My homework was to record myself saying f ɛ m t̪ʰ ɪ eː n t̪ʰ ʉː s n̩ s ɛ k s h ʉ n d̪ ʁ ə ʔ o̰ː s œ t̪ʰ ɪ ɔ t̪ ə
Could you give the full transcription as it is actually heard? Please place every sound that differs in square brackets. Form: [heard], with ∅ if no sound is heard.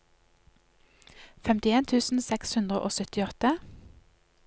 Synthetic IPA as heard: f ɛ m [t̪] ɪ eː n t̪ʰ ʉː s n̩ s ɛ k s h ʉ n d̪ ʁ ə ʔ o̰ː s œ [t̪] ɪ ɔ t̪ ə